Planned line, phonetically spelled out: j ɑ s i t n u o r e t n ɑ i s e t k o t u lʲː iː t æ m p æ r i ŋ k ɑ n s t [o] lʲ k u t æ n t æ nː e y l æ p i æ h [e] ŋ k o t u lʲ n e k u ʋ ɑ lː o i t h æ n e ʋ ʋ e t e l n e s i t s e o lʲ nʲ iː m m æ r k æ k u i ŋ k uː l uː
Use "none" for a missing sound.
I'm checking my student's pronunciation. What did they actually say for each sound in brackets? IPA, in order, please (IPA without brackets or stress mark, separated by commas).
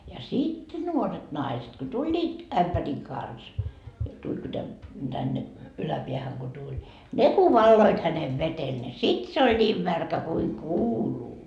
u, æ